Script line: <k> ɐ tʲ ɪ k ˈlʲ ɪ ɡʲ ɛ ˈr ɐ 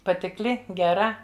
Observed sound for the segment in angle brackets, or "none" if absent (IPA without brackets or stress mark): p